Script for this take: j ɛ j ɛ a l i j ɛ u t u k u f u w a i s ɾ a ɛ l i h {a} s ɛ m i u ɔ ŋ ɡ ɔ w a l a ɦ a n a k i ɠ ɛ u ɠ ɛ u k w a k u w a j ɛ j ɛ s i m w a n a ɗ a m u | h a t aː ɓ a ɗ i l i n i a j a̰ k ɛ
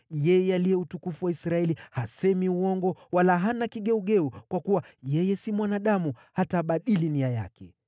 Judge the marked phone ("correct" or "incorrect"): correct